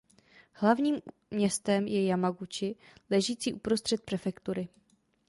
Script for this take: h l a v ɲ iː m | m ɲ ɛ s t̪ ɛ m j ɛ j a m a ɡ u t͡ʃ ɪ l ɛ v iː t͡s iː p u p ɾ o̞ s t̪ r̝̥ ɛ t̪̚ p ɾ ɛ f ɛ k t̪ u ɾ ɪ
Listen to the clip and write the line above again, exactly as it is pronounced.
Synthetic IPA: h l a v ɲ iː m | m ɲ ɛ s t̪ ɛ m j ɛ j a m a ɡ u t͡ʃ ɪ l ɛ ʒ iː t͡s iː ʔ u p ɾ o̞ s t̪ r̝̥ ɛ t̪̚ p ɾ ɛ f ɛ k t̪ u ɾ ɪ

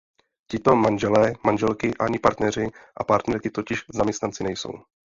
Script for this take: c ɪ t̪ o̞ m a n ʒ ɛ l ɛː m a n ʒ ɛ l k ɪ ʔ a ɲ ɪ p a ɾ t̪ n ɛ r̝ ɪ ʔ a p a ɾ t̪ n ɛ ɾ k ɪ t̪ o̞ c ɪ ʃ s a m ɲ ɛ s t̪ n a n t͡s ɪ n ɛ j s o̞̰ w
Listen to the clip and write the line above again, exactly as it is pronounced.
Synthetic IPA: c ɪ t̪ o̞ m a n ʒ ɛ l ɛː m a n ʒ ɛ l k ɪ ʔ a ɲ ɪ p a ɾ t̪ n ɛ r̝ ɪ ʔ a p a ɾ t̪ n ɛ ɾ k ɪ t̪ o̞ c ɪ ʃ z a m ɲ ɛ s t̪ n a n t͡s ɪ n ɛ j s o̞̰ w

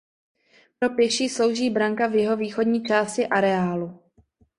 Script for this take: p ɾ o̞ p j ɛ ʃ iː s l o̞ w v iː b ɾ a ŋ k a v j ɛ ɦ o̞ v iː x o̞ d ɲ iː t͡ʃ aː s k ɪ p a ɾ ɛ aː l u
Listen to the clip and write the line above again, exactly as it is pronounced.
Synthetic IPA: p ɾ o̞ p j ɛ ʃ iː s l o̞ w ʒ iː b ɾ a ŋ k a v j ɛ ɦ o̞ v iː x o̞ d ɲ iː t͡ʃ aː s c ɪ ʔ a ɾ ɛ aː l u

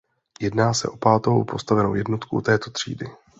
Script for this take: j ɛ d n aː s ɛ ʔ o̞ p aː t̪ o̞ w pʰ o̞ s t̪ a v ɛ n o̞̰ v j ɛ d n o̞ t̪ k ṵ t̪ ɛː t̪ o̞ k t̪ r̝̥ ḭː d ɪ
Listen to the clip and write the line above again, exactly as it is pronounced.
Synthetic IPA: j ɛ d n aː s ɛ ʔ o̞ p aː t̪ o̞ w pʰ o̞ s t̪ a v ɛ n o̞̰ w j ɛ d n o̞ t̪ k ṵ t̪ ɛː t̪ o̞ t̪ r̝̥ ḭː d ɪ

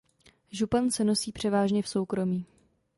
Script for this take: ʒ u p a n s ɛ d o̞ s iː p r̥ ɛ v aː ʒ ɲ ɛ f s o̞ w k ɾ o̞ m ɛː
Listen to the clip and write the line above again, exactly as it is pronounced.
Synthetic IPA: ʒ u p a n s ɛ n o̞ s iː p r̥ ɛ v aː ʒ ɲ ɛ f s o̞ w k ɾ o̞ m iː

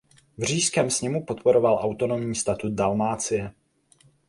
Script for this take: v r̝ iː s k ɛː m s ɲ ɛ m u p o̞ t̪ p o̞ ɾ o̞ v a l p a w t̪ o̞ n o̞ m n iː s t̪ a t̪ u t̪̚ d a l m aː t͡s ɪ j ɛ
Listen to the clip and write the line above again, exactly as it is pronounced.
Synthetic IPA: v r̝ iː s k ɛː m s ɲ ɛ m u p o̞ t̪ p o̞ ɾ o̞ v a l ʔ a w t̪ o̞ n o̞ m ɲ iː s t̪ a t̪ u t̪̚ d a l m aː t͡s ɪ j ɛ

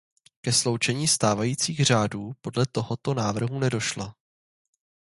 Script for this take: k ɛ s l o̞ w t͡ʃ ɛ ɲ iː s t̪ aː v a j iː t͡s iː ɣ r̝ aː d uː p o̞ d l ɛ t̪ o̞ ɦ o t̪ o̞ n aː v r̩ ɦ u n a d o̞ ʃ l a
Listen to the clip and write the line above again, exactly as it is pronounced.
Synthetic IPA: k ɛ s l o̞ w t͡ʃ ɛ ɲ iː s t̪ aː v a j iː t͡s iː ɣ r̝ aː d uː p o̞ d l ɛ t̪ o̞ ɦ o t̪ o̞ n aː v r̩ ɦ u n ɛ d o̞ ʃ l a

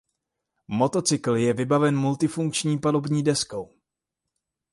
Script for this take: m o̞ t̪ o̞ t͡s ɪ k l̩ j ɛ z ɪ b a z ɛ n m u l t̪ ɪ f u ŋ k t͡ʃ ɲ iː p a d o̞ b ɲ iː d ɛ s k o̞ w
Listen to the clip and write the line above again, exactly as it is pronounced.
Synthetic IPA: m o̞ t̪ o̞ t͡s ɪ k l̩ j ɛ v ɪ b a v ɛ n m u l t̪ ɪ f u ŋ k t͡ʃ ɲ iː p a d o̞ b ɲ iː d ɛ s k o̞ w

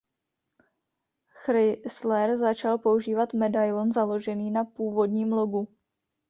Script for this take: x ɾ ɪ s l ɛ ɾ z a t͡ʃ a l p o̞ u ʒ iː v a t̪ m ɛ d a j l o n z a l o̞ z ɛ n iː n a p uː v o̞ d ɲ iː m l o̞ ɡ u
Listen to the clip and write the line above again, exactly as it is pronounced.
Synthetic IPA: x ɾ ɪ s l ɛ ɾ z a t͡ʃ a l p o̞ u ʒ iː v a t̪ m ɛ d a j l o n z a l o̞ ʒ ɛ n iː n a p uː v o̞ d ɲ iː m l o̞ ɡ u

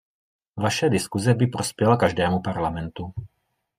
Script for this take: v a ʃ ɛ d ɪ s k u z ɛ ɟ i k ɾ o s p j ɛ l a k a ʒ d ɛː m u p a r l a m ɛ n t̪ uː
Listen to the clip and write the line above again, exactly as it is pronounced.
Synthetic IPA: v a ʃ ɛ d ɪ s k u z ɛ b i p ɾ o s p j ɛ l a k a ʒ d ɛː m u p a ɾ l a m ɛ n t̪ u

